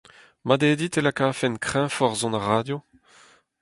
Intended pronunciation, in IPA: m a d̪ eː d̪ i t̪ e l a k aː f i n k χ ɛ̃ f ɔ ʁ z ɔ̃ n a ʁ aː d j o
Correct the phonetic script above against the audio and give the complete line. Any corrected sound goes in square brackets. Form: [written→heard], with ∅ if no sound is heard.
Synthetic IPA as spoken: m a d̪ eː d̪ i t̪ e l a k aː f [i→ɛ] n k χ ɛ̃ f ɔ ʁ z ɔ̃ n a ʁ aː d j o